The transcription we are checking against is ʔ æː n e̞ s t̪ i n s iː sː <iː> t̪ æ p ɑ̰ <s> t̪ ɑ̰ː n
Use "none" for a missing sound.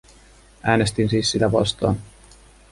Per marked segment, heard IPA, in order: i, s

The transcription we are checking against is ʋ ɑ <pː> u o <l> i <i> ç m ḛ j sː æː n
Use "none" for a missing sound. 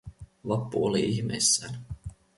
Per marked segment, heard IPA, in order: pː, l, i

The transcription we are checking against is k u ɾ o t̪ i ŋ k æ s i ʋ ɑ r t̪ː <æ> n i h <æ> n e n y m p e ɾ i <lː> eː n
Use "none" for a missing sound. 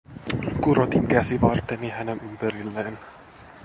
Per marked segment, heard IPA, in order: e, æ, lː

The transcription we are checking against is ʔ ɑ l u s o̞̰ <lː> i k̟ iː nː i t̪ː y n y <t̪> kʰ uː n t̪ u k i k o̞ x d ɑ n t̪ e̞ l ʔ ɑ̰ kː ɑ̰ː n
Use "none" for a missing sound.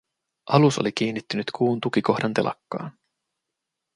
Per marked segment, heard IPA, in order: l, t̪

